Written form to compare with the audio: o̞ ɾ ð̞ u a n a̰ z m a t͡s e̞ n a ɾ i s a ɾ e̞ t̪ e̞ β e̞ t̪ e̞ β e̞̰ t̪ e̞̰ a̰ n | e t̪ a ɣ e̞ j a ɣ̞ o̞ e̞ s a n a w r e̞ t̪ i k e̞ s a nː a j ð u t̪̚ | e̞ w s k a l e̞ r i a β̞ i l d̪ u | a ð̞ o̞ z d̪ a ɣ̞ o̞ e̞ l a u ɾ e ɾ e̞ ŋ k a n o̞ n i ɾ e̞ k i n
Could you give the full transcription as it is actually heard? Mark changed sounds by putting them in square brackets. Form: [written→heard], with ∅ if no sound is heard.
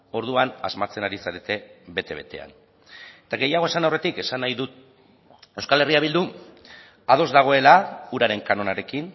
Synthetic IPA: o̞ ɾ ð̞ u a n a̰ z m a t͡s e̞ n a ɾ i s a ɾ e̞ t̪ e̞ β e̞ t̪ e̞ β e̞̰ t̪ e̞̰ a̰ n | e t̪ a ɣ e̞ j a ɣ̞ o̞ e̞ s a n a w r e̞ t̪ i k e̞ s a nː a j ð u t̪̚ | e̞ w s k a l e̞ r i a β̞ i l d̪ u | a ð̞ o̞ z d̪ a ɣ̞ o̞ e̞ l a u ɾ [e→a] ɾ e̞ ŋ k a n o̞ n [i→a] ɾ e̞ k i n